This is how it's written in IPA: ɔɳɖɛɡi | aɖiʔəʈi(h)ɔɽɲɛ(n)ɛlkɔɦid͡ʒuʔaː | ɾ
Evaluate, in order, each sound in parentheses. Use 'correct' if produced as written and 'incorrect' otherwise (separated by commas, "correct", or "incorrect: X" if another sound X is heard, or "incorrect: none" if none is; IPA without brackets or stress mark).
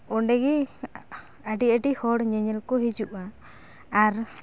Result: correct, incorrect: ɲ